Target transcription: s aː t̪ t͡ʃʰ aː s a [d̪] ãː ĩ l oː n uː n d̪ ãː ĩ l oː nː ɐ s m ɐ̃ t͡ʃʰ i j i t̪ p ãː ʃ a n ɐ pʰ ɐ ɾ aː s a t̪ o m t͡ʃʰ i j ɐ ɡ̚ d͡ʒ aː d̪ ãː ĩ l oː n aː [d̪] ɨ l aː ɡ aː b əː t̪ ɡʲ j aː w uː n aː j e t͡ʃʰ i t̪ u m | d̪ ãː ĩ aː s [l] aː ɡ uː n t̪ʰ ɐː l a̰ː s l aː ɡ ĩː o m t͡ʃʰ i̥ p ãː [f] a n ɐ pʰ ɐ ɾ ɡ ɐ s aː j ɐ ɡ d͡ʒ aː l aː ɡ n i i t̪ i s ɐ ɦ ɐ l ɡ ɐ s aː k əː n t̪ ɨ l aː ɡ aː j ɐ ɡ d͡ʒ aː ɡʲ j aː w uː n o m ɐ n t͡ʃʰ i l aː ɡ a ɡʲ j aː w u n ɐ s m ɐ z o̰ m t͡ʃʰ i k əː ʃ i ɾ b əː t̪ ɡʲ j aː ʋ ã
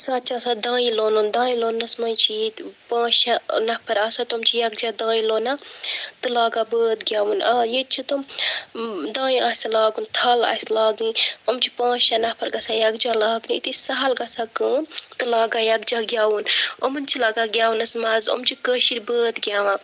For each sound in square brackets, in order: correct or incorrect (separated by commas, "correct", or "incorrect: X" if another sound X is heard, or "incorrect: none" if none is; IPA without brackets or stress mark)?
correct, incorrect: t̪, correct, incorrect: ʃ